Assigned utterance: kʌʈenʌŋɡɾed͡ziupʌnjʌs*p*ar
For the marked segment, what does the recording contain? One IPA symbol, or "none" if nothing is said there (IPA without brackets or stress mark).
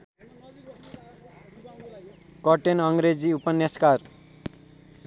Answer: k